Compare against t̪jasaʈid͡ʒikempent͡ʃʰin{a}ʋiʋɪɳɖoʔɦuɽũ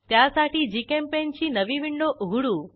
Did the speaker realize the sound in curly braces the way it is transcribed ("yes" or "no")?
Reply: no